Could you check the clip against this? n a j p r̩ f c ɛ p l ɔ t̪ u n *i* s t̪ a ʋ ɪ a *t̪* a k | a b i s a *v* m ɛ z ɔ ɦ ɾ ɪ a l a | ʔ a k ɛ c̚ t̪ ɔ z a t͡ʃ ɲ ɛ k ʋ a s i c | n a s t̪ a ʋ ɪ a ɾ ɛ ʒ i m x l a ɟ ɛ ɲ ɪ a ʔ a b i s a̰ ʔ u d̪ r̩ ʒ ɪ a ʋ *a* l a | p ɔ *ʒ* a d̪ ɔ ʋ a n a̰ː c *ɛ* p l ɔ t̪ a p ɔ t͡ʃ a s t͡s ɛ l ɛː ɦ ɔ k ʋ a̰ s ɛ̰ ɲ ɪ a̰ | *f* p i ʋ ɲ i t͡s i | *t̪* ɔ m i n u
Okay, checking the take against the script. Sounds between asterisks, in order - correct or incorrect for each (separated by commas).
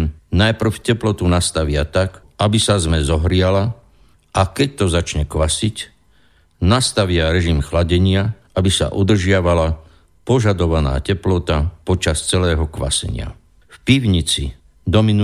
incorrect, correct, incorrect, correct, correct, correct, correct, incorrect